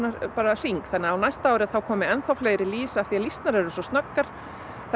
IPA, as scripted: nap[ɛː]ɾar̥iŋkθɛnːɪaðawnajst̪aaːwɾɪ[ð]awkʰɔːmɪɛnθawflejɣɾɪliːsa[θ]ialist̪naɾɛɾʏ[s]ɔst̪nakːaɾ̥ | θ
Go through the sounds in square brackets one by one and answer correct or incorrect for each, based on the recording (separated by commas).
incorrect, incorrect, correct, correct